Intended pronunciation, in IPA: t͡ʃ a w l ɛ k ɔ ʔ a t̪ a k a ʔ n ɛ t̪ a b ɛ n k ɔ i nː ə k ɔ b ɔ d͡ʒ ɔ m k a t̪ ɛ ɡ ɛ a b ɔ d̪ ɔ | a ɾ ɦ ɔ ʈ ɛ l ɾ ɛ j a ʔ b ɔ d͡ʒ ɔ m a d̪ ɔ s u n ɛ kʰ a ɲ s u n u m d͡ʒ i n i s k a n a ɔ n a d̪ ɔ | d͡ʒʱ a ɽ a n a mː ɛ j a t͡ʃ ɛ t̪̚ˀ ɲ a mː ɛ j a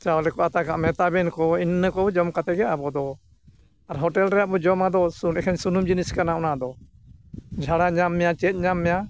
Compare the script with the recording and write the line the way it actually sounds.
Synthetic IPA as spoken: t͡ʃ a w l ɛ k ɔ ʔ a t̪ a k a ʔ m ɛ t̪ a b ɛ n k ɔ i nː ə k ɔ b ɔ d͡ʒ ɔ m k a t̪ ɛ ɡ ɛ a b ɔ d̪ ɔ | a ɾ ɦ ɔ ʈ ɛ l ɾ ɛ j a ʔ b ɔ d͡ʒ ɔ m a d̪ ɔ s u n ɛ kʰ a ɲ s u n u m d͡ʒ i n i s k a n a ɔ n a d̪ ɔ | d͡ʒʱ a ɽ a ɲ a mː ɛ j a t͡ʃ ɛ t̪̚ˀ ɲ a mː ɛ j a